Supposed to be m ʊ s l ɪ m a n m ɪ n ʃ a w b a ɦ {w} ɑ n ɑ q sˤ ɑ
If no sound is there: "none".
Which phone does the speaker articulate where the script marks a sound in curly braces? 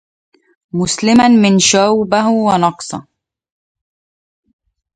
w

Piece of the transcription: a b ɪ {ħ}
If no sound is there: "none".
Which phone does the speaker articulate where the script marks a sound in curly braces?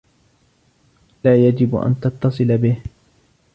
h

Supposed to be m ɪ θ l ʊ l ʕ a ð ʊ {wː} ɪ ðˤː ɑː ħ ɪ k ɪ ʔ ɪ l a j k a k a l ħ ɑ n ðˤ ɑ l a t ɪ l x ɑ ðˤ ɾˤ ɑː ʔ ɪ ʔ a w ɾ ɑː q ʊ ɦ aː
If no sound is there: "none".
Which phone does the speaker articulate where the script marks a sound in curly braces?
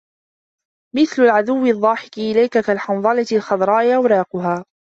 wː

